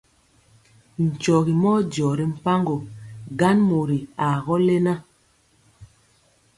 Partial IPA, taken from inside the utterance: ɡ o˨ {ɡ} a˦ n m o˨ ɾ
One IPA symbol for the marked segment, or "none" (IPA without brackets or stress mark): ɡ